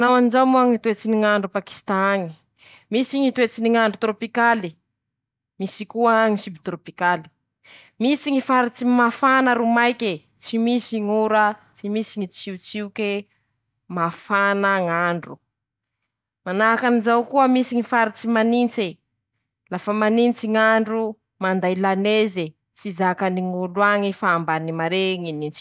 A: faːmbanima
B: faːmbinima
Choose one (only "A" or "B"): A